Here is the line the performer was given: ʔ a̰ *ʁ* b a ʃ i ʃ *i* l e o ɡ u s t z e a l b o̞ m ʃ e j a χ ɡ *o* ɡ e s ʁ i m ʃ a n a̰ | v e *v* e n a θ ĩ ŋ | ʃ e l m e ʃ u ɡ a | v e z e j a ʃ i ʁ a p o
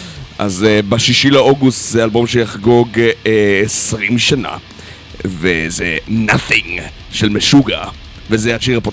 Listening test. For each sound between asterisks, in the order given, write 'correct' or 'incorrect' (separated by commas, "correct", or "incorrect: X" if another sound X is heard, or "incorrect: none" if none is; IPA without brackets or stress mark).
incorrect: z, correct, correct, incorrect: z